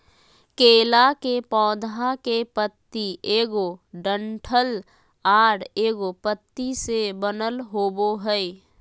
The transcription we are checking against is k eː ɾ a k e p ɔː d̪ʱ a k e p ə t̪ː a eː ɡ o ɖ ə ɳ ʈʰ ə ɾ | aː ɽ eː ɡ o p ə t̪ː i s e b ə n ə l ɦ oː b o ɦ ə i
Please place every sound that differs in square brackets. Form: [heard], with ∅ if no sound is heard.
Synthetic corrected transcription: k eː [l] a k e p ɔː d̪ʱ a k e p ə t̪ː [i] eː ɡ o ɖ ə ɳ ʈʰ ə [l] | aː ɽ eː ɡ o p ə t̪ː i s e b ə n ə l ɦ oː b o ɦ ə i